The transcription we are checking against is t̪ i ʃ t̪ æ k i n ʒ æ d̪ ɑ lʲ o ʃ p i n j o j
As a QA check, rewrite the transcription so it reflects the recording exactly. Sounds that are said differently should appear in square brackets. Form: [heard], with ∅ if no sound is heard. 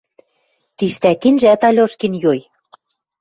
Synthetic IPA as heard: t̪ i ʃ t̪ æ k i n ʒ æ [t̪] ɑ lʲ o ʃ [k] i n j o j